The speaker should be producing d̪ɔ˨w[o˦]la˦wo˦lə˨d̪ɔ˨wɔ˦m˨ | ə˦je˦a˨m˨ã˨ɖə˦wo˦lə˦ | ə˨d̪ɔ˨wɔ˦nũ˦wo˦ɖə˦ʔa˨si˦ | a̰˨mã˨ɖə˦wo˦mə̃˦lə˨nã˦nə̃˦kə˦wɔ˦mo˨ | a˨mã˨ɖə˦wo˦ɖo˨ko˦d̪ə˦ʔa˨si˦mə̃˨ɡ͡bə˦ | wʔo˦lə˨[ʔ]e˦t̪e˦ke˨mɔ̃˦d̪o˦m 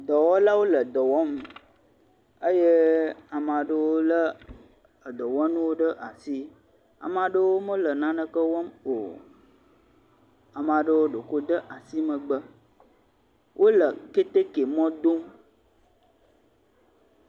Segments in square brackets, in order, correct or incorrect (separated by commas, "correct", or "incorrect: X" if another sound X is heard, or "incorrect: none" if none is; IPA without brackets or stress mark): incorrect: ɔ˦, incorrect: k